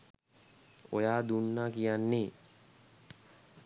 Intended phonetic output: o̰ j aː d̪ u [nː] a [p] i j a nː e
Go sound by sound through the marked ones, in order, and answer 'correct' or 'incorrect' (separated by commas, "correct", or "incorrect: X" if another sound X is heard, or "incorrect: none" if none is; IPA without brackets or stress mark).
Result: correct, incorrect: k